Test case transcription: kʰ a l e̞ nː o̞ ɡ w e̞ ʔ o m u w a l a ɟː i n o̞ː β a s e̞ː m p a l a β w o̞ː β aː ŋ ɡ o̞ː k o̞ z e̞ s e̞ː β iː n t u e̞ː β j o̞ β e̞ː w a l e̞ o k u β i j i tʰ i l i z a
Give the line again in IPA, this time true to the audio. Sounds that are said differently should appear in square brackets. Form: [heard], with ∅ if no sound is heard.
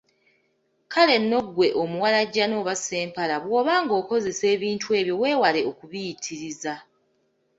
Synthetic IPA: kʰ a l e̞ nː o̞ ɡ w e̞ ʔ o m u w a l a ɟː [a] n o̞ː β a s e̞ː m p a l a β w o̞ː β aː ŋ ɡ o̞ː k o̞ z e̞ s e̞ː β iː n t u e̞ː β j o̞ [w] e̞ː w a l e̞ o k u β i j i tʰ i [ɾ] i z a